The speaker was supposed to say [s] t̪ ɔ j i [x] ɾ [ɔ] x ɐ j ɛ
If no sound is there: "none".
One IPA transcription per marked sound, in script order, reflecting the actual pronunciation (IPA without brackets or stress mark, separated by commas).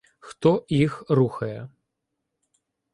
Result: x, x, u